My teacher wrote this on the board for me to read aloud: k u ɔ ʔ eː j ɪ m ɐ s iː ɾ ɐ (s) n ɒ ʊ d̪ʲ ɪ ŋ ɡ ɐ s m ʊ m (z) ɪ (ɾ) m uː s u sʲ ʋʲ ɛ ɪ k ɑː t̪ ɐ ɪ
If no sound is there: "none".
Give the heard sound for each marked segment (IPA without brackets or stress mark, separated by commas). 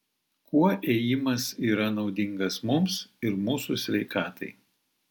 none, s, ɾ